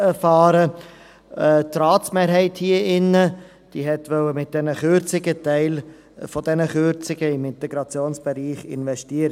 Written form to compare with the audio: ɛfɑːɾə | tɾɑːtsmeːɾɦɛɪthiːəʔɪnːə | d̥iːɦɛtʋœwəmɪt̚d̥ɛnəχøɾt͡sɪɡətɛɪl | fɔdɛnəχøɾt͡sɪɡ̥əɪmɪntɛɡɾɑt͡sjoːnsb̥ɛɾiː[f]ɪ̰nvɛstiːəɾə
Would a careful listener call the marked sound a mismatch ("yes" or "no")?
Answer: yes